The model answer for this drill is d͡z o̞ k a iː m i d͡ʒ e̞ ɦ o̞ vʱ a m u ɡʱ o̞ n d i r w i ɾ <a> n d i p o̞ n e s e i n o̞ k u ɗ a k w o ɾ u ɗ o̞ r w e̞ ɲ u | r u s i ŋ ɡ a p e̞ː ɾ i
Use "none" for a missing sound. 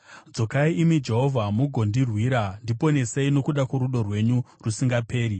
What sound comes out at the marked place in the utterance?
a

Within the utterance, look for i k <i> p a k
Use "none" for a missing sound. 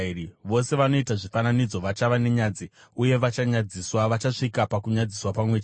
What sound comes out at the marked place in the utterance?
a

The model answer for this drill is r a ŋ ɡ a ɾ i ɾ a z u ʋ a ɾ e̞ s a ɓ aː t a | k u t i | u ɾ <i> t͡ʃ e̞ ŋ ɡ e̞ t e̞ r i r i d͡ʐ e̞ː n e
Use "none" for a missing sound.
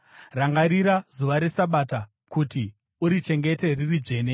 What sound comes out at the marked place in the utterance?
i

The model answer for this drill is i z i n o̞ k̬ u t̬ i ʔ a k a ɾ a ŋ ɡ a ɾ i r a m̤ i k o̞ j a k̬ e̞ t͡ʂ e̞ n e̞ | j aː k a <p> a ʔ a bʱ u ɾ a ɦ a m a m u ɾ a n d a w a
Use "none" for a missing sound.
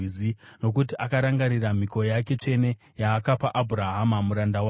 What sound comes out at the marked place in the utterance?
p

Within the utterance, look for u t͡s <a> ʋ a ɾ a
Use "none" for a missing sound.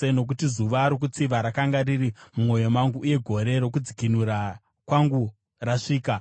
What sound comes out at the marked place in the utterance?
i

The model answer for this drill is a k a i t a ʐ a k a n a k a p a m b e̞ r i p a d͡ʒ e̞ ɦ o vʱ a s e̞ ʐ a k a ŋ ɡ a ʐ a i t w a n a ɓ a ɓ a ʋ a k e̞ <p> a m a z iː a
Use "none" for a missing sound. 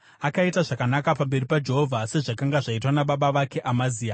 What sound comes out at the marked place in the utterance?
ʔ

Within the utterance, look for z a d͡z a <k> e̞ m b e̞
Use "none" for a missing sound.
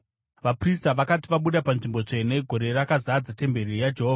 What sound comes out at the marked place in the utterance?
t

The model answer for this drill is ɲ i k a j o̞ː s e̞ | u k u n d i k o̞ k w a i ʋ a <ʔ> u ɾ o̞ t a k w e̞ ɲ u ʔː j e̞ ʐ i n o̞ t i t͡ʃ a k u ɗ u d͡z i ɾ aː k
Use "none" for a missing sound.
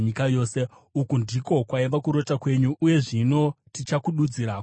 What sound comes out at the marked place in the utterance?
k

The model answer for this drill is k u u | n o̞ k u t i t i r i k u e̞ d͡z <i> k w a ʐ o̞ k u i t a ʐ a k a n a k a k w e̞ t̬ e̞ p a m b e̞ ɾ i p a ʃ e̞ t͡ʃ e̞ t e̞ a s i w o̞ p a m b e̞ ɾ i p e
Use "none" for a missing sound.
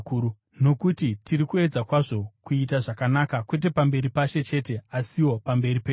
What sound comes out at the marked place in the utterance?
a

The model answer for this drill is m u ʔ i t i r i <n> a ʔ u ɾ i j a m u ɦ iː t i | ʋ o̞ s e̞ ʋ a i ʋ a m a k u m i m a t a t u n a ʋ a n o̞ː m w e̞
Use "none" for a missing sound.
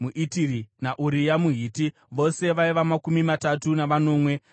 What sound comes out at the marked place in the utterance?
n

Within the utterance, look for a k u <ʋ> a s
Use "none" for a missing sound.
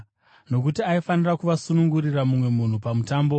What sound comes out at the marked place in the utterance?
ʋ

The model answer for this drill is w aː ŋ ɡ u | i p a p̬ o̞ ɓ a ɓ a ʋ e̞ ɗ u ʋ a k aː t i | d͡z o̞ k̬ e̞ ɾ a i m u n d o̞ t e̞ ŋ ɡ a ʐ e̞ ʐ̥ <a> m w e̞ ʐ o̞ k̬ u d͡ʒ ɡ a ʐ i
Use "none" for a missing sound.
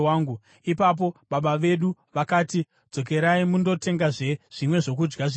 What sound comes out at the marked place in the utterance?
i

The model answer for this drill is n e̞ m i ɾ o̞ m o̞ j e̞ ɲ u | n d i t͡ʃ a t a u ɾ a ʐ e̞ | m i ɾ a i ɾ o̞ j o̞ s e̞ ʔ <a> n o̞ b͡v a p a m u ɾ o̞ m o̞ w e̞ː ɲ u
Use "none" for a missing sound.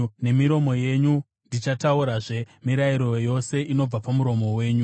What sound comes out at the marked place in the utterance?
i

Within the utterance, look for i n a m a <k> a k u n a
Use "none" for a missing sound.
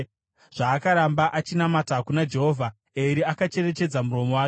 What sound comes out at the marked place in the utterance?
t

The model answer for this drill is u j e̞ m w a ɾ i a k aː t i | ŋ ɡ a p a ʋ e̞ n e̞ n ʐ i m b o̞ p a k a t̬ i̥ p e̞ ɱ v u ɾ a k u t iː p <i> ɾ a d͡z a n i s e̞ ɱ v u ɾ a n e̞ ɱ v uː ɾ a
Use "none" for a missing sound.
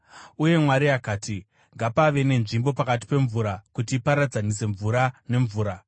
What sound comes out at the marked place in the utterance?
a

